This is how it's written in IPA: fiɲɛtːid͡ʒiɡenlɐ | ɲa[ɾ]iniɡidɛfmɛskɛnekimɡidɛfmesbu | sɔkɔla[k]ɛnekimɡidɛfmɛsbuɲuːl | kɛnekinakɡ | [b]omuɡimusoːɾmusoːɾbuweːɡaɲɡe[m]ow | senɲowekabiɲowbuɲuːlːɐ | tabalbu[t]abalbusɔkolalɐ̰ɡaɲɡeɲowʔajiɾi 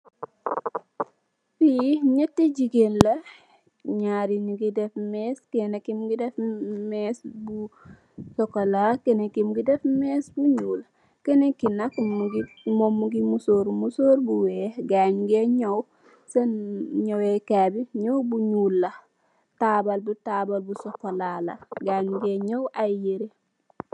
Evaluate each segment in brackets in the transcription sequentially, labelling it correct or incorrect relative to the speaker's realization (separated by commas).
correct, correct, incorrect, incorrect, correct